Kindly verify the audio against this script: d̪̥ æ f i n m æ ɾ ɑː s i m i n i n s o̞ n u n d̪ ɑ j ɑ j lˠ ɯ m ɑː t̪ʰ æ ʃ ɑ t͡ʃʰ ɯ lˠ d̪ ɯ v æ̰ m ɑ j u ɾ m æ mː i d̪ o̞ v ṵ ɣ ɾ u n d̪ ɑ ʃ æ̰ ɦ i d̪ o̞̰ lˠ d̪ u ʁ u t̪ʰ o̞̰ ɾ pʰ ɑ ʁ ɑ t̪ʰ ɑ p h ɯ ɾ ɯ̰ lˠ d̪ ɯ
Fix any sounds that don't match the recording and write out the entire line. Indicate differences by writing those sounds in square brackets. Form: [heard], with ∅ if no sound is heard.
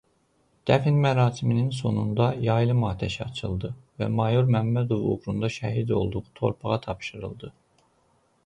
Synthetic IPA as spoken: d̪̥ æ f i n m æ ɾ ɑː s i m i n i n s o̞ n u n d̪ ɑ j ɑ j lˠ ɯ m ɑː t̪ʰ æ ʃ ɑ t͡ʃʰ ɯ lˠ d̪ ɯ v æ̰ m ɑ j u ɾ m æ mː [æ] d̪ o̞ v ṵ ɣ ɾ u n d̪ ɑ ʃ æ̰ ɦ i d̪ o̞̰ lˠ d̪ u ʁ u t̪ʰ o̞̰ ɾ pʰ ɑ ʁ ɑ t̪ʰ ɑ p [ʃ] ɯ ɾ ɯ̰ lˠ d̪ ɯ